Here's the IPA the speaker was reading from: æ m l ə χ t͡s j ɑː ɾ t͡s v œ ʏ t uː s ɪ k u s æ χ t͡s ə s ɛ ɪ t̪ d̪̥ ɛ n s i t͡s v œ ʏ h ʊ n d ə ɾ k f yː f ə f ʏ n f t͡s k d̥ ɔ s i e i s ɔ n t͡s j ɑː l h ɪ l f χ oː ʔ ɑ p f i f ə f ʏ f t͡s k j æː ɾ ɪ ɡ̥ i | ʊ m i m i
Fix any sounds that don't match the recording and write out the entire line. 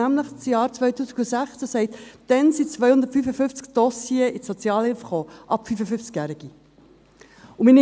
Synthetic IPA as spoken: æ m l ə χ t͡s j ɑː ɾ t͡s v œ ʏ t uː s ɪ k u s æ χ t͡s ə s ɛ ɪ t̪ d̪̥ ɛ n s i t͡s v œ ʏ h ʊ n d ə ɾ t f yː f ə f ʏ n f t͡s k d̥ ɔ s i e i s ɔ t͡s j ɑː l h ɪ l f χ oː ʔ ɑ p f y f ə f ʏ f t͡s k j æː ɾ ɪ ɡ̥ i | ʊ m i n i